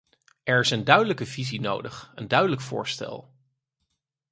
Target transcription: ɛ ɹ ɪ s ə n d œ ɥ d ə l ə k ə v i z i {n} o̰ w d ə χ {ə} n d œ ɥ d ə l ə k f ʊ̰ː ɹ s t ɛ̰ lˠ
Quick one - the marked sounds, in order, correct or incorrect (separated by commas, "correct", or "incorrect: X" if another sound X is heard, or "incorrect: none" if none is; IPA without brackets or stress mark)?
correct, correct